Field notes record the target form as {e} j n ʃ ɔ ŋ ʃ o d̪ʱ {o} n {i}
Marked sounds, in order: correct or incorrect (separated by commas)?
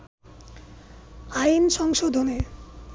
incorrect, correct, incorrect